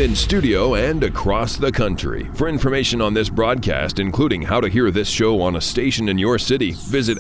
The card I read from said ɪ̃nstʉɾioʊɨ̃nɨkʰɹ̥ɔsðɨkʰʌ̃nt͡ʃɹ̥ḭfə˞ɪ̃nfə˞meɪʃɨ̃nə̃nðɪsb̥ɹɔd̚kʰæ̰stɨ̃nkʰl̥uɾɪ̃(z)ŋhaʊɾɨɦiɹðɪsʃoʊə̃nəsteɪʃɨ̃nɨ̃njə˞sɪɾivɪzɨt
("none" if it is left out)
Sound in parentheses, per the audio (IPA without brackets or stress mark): none